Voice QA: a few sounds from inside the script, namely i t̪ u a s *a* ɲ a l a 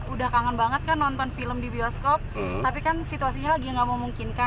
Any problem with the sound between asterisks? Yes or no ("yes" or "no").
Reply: yes